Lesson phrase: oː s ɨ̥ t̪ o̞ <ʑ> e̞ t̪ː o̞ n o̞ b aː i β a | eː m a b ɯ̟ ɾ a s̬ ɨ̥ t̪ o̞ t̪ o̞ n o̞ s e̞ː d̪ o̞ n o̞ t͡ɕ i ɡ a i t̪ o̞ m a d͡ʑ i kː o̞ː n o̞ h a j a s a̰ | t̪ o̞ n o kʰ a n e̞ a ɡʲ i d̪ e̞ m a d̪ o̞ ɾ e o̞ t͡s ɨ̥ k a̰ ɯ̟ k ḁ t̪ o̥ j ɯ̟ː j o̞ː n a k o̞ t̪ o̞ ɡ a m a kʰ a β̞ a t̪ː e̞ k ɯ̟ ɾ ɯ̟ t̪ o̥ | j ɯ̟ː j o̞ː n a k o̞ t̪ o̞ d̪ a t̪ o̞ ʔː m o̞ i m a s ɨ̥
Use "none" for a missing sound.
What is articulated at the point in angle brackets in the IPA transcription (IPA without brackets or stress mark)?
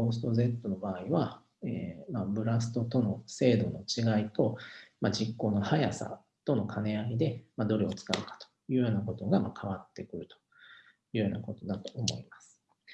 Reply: z